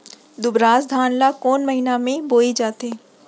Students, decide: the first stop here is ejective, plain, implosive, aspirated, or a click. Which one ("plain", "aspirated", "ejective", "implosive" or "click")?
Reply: plain